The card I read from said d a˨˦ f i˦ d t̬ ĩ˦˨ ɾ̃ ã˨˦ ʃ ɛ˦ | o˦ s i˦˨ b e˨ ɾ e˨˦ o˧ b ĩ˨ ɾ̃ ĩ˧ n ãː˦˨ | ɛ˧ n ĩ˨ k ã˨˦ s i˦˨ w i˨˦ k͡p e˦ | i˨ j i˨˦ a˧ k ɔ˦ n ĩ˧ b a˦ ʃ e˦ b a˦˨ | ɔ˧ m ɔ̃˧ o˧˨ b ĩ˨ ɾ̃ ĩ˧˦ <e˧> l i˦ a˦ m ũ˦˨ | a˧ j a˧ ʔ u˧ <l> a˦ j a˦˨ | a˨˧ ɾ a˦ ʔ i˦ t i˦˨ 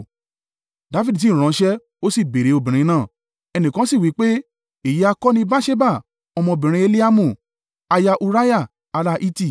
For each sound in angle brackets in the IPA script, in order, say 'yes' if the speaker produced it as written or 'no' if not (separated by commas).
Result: yes, no